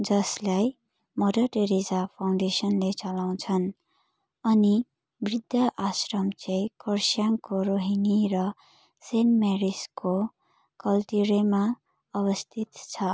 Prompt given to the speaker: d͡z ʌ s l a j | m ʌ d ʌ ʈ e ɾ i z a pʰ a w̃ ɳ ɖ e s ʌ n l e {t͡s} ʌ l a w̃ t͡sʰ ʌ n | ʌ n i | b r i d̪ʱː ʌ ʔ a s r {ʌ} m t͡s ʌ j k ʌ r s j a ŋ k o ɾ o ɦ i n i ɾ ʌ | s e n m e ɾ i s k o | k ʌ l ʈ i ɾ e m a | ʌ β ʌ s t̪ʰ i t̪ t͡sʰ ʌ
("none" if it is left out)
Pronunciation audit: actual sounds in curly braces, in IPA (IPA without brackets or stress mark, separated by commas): t͡s, ʌ